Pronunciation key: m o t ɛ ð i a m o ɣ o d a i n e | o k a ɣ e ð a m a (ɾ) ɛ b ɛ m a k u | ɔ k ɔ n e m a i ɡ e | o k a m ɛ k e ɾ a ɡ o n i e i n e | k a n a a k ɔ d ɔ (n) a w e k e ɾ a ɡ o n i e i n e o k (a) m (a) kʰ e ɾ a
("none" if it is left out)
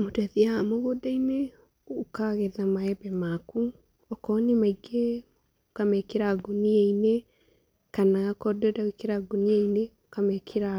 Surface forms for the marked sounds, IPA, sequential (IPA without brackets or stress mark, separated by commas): none, d, a, ɛ